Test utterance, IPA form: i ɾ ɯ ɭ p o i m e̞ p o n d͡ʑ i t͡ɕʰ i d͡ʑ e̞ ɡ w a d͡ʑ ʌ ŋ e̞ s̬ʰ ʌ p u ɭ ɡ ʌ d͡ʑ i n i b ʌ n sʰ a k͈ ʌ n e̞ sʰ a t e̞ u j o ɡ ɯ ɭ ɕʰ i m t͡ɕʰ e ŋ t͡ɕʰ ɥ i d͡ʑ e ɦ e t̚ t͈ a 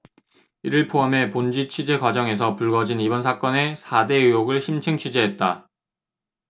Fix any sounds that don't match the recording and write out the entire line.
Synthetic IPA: i ɾ ɯ ɭ pʰ o a m e̞ p o n d͡ʑ i t͡ɕʰ i d͡ʑ e̞ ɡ w a d͡ʑ ʌ ŋ e̞ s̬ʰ ʌ p u ɭ ɡ ʌ d͡ʑ i n i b ʌ n sʰ a k͈ ʌ n e̞ sʰ a d e̞ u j o ɡ ɯ ɭ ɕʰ i m t͡ɕʰ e ŋ t͡ɕʰ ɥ i d͡ʑ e ɦ e t̚ t͈ a

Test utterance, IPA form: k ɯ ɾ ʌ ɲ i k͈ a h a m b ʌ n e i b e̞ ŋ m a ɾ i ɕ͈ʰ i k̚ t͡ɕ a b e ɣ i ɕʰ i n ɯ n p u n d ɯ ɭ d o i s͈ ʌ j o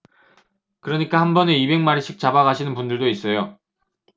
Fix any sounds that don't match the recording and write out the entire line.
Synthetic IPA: k ɯ ɾ ʌ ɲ i k͈ a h a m b ʌ n e i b e̞ ŋ m a ɾ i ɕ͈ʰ i k̚ t͡ɕ a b a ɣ a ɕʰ i n ɯ n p u n d ɯ ɭ d o i s͈ ʌ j o

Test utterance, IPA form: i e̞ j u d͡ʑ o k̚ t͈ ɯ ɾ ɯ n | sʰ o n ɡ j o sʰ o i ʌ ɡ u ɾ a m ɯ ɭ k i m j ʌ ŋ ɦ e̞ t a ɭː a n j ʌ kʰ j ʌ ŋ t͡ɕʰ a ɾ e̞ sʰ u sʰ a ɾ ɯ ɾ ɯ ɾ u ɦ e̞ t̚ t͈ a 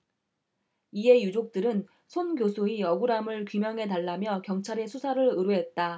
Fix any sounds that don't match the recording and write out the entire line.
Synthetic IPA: i e̞ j u d͡ʑ o k̚ t͈ ɯ ɾ ɯ n | sʰ o n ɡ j o sʰ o i ʌ ɡ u ɾ a m ɯ ɭ k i m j ʌ ŋ ɦ e̞ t a ɭː a m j ʌ k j ʌ ŋ t͡ɕʰ a ɾ e̞ sʰ u sʰ a ɾ ɯ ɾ ɯ ɾ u ɦ e̞ t̚ t͈ a

